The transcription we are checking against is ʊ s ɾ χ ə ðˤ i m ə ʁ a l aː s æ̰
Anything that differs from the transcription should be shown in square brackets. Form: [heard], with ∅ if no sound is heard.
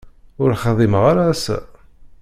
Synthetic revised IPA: ʊ [∅] ɾ χ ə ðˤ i m ə ʁ a [ɾ] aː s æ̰